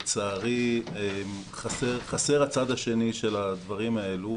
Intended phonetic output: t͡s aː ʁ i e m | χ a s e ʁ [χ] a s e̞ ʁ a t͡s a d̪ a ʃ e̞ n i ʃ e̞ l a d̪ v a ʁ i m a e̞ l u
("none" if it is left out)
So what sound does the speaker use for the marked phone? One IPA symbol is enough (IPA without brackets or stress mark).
χ